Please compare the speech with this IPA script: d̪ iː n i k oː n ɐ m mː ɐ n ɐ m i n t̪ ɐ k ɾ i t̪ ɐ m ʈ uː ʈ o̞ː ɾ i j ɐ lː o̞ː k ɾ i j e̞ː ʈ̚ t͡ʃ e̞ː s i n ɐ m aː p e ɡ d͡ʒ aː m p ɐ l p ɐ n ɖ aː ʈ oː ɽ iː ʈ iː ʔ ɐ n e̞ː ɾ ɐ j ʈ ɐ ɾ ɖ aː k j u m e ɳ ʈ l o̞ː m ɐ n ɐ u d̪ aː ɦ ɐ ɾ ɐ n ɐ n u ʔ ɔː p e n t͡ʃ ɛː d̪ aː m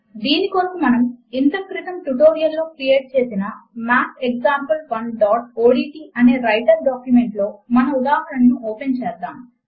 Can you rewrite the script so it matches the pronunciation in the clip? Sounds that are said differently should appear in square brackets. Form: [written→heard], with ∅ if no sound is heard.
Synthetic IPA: d̪ iː n i k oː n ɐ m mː ɐ n ɐ m i n t̪ ɐ k ɾ i t̪ ɐ m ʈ [uː→u] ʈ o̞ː ɾ i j ɐ lː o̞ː k ɾ i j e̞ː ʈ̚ t͡ʃ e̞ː s i n ɐ m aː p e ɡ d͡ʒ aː m p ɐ l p ɐ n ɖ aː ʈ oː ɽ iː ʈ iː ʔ ɐ n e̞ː ɾ ɐ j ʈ ɐ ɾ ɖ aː k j u m e ɳ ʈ l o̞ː m ɐ n ɐ u d̪ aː ɦ ɐ ɾ ɐ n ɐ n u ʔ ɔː p e n t͡ʃ ɛː d̪ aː m